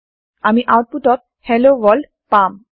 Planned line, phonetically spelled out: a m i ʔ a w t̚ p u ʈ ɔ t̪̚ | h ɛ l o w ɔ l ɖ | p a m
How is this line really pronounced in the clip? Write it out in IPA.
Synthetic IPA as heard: a m i ʔ a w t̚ p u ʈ ɔ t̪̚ | h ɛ l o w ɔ l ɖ | p a m